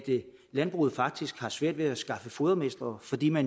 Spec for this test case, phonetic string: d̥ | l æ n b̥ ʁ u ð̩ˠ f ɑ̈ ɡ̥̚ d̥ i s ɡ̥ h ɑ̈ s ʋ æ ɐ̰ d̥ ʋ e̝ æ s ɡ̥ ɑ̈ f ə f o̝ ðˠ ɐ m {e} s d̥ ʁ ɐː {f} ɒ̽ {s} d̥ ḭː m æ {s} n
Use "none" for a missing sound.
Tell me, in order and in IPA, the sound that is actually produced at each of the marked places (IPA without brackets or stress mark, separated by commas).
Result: e, f, none, none